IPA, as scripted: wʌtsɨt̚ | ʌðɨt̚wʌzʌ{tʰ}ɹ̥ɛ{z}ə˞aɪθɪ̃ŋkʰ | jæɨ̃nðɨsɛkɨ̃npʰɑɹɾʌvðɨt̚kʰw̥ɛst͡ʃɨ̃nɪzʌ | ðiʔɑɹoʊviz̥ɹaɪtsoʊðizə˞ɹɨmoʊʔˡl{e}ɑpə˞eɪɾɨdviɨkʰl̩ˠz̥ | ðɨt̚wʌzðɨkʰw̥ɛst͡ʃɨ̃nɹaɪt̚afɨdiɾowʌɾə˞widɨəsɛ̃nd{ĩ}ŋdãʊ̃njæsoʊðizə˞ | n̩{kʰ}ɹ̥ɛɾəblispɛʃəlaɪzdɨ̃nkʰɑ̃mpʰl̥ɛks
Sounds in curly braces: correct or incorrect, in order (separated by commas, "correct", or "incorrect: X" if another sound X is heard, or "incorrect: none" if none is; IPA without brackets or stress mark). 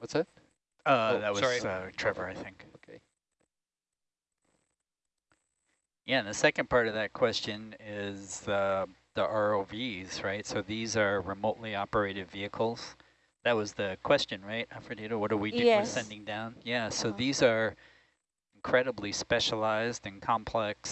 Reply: correct, incorrect: v, incorrect: i, incorrect: ɪ̃, correct